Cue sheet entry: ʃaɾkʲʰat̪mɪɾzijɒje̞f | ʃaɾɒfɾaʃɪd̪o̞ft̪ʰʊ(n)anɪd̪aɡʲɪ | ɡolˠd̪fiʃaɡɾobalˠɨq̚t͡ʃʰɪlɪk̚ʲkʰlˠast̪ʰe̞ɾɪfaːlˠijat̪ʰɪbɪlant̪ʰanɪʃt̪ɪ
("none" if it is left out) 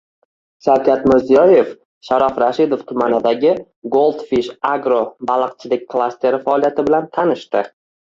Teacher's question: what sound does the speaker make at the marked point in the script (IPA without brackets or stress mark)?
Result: m